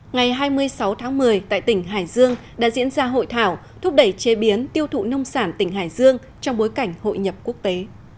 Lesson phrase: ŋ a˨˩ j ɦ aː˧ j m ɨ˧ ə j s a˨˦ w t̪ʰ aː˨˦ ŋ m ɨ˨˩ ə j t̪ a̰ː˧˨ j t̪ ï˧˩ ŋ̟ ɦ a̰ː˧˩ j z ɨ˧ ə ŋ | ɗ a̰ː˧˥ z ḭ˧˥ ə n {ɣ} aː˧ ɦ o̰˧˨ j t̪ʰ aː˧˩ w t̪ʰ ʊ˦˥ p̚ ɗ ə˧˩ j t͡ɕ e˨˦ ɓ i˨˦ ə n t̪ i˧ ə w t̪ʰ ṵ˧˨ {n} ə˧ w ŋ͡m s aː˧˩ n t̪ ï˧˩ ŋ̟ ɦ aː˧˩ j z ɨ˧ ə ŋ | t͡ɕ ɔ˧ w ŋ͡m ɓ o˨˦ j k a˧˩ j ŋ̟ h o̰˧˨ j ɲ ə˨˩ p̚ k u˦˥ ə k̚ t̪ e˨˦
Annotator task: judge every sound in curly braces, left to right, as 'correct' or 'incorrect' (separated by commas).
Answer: incorrect, correct